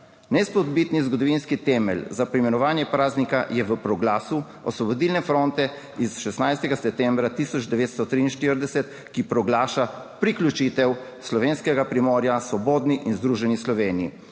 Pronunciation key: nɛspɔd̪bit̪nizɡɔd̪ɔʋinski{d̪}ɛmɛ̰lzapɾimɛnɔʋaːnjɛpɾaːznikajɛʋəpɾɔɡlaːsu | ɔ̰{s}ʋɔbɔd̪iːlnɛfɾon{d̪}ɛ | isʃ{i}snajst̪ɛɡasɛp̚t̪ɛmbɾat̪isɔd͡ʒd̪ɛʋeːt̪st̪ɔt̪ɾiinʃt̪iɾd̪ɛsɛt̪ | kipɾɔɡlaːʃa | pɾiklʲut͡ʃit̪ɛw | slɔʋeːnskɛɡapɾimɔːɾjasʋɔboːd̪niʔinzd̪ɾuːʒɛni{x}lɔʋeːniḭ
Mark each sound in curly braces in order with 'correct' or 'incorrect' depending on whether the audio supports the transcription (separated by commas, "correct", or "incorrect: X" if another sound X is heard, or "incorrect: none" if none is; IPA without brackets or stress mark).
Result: incorrect: t̪, correct, incorrect: t̪, incorrect: ɛ, incorrect: s